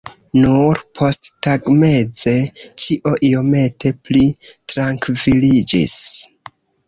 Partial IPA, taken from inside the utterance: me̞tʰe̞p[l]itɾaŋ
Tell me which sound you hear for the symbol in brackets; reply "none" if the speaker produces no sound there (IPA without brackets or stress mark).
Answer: l